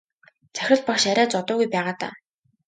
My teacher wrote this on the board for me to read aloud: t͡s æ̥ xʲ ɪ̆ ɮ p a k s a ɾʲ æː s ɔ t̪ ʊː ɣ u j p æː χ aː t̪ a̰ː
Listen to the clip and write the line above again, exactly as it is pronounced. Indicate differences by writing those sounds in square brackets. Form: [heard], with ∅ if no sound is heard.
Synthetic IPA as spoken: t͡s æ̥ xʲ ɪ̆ ɮ p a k [ʃ] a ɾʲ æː [t͡s] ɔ t̪ ʊː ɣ u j p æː [ʁ] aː t̪ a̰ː